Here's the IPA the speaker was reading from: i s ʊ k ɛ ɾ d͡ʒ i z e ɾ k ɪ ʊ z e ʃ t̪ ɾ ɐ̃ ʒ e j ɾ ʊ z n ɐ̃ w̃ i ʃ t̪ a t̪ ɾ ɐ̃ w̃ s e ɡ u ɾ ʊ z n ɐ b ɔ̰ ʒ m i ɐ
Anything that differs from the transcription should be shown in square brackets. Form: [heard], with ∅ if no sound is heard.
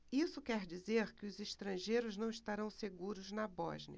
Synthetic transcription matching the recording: i s ʊ k ɛ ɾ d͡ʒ i z e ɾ k ɪ ʊ z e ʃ t̪ ɾ ɐ̃ ʒ e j ɾ ʊ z n ɐ̃ w̃ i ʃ t̪ a [∅] ɾ ɐ̃ w̃ s e ɡ u ɾ ʊ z n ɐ b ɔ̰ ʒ [n] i ɐ